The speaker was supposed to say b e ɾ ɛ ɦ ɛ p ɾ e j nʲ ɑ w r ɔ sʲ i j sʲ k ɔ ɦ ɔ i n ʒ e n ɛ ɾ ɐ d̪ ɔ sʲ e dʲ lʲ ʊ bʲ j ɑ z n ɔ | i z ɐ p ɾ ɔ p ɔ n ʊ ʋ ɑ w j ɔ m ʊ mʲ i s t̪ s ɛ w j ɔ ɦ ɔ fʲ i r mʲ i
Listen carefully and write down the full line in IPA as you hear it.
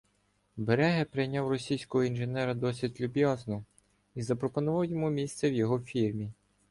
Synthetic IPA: b e ɾ ɛ ɦ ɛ p ɾ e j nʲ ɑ w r ɔ sʲ i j sʲ k ɔ ɦ ɔ i n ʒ e n ɛ ɾ ɐ d̪ ɔ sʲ i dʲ lʲ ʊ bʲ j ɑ z n ɔ | i z ɐ p ɾ ɔ p ɔ n ʊ ʋ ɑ w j ɔ m u mʲ i s t̪ s ɛ w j ɔ ɦ ɔ fʲ i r mʲ i